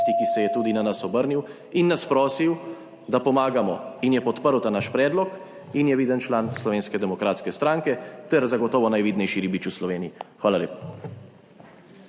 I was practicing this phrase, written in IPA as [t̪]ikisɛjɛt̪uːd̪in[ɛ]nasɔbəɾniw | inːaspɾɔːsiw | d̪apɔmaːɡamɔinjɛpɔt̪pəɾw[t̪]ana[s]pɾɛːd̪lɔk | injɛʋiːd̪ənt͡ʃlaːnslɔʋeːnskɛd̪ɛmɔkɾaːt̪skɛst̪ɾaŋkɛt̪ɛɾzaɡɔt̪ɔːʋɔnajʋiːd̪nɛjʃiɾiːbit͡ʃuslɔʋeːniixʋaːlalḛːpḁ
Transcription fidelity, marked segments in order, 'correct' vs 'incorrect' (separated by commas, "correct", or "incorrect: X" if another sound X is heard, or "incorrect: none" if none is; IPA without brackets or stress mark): correct, incorrect: a, correct, incorrect: ʃ